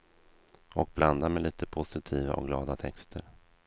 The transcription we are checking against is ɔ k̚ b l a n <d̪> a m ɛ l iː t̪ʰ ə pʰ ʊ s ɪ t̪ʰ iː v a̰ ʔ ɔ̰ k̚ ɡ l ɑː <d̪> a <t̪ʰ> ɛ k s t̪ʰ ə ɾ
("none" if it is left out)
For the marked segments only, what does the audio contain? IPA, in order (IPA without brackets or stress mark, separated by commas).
d̪, d̪, t̪ʰ